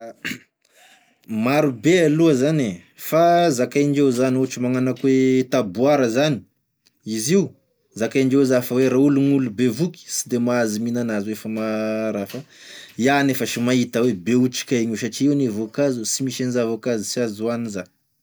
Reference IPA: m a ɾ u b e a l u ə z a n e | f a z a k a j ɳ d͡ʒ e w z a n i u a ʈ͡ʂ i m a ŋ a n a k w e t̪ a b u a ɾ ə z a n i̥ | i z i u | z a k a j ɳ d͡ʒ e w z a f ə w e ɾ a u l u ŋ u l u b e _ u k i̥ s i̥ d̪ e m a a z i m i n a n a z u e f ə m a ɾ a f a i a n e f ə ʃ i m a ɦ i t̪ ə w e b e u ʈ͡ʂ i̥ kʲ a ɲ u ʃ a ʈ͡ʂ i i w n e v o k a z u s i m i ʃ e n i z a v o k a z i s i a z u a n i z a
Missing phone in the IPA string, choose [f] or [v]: v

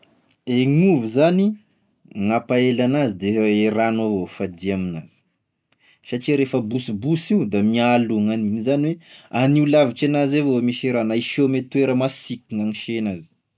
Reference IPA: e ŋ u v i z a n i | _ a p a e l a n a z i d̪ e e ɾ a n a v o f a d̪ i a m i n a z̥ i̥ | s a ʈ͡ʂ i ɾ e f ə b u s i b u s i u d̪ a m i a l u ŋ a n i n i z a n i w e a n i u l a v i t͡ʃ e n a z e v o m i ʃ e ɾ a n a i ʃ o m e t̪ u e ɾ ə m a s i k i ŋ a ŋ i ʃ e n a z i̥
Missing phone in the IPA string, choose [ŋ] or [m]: ŋ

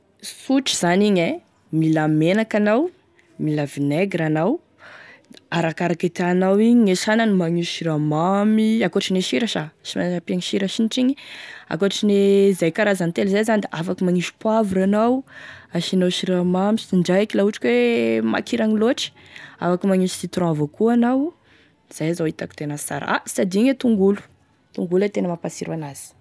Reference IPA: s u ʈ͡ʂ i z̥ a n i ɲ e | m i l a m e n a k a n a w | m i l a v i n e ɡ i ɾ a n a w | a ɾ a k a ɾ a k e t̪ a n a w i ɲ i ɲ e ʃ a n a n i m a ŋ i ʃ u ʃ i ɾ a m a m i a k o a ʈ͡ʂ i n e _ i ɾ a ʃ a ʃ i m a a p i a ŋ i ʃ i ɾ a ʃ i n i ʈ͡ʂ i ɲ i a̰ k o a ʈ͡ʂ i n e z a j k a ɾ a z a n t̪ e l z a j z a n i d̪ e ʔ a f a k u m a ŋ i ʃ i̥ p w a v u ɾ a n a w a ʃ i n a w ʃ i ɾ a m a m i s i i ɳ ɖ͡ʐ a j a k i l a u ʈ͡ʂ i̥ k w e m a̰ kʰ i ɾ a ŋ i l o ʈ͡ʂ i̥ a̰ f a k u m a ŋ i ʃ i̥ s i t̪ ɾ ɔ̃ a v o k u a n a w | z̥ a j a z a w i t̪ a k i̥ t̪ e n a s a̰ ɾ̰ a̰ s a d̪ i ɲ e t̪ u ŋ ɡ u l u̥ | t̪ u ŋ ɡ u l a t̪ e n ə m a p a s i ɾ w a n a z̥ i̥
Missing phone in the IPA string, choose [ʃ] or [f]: ʃ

